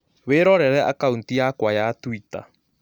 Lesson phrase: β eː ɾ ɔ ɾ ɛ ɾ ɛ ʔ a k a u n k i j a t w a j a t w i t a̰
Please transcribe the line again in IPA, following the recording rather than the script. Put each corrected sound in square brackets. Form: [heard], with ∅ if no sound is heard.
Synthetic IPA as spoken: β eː ɾ ɔ ɾ ɛ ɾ ɛ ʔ a k a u n [t] i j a [k] w a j a t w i t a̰